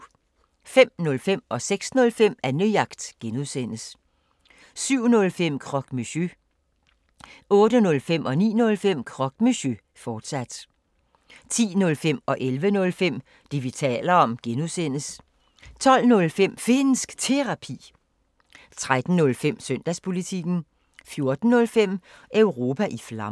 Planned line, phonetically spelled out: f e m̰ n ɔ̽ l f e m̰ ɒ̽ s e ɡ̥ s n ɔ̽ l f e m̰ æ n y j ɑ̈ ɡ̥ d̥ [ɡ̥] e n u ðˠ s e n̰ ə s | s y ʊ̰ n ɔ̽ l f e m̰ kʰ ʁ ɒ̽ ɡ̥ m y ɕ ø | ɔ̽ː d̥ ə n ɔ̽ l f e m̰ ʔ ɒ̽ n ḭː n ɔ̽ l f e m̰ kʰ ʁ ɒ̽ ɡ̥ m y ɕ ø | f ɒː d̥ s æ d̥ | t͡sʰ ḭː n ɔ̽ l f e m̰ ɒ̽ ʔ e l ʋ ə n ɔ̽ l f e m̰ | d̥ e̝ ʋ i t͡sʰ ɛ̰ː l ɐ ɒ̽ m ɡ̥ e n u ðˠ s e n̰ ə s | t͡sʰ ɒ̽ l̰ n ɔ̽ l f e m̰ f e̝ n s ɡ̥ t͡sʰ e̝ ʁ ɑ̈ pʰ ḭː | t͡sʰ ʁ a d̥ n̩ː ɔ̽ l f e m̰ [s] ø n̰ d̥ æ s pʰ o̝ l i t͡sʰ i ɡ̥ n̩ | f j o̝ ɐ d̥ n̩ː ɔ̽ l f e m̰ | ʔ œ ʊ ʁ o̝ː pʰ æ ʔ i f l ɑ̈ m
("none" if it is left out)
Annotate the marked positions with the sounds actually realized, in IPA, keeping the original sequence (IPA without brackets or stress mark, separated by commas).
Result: ɡ̥, s